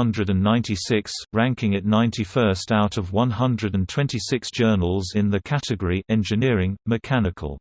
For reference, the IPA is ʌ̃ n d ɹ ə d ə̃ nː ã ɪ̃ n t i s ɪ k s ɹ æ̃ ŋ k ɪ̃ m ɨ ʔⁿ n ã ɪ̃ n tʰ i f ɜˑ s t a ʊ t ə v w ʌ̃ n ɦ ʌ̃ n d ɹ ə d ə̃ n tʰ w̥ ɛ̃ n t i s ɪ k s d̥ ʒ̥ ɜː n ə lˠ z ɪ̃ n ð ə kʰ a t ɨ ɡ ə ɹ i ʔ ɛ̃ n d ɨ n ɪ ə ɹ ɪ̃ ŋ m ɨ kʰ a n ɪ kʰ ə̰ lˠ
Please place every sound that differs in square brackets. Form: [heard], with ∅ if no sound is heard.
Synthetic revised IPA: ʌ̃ n d ɹ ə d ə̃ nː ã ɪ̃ n t i s ɪ k s ɹ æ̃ ŋ k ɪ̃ [ŋ] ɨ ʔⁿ n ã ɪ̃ n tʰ i f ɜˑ s t a ʊ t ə v w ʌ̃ n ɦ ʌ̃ n d ɹ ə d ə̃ n tʰ w̥ ɛ̃ n t i s ɪ k s d̥ ʒ̥ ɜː n ə lˠ z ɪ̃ n ð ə kʰ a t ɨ ɡ ə ɹ i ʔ ɛ̃ n [d͡ʒ] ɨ n ɪ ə ɹ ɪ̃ ŋ m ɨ kʰ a n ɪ kʰ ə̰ lˠ